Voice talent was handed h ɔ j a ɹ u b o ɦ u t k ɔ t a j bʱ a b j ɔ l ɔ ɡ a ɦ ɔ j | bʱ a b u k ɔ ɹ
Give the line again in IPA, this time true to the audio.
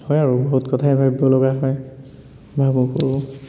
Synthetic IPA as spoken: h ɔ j a ɹ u b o ɦ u t k ɔ tʰ a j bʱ a b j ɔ l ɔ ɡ a ɦ ɔ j | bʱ a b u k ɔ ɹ